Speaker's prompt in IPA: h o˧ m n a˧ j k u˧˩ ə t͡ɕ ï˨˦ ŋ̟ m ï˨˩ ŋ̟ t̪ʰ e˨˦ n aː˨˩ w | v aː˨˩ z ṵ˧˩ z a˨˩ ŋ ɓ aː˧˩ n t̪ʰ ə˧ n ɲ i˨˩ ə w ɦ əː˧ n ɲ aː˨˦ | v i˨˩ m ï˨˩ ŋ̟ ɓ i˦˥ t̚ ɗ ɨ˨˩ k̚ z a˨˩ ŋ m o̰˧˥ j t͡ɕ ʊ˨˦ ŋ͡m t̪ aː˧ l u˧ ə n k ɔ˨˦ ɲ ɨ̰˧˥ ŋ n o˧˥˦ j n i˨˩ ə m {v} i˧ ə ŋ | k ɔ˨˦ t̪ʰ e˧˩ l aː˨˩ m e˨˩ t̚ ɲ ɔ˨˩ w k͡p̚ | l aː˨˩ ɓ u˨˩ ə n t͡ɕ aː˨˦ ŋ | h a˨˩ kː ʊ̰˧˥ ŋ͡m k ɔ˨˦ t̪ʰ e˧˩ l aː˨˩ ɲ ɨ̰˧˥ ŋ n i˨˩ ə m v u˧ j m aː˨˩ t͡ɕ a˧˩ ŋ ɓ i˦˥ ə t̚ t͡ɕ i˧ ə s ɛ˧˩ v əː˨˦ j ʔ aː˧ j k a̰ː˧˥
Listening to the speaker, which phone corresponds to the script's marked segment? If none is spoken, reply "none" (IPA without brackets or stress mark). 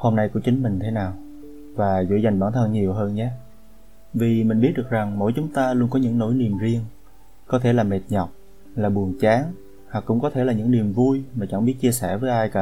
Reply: z